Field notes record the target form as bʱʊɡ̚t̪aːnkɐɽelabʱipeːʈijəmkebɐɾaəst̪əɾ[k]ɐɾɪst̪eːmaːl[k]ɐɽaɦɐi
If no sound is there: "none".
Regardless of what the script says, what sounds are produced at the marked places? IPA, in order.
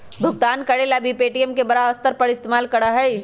p, k

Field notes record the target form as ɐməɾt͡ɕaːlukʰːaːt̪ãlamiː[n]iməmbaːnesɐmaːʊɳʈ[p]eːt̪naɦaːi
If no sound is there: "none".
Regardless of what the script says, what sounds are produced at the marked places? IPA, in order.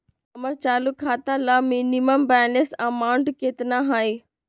n, k

